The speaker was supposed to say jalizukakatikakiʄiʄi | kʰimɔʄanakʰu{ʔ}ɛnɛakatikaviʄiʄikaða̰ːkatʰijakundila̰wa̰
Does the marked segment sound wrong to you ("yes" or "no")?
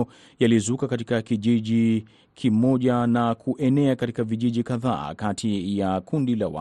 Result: no